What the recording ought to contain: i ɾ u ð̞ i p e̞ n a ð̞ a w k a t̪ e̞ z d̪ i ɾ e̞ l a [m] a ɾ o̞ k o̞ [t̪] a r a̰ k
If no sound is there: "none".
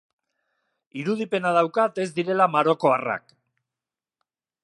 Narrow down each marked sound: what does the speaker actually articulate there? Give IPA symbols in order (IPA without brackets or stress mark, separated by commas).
m, none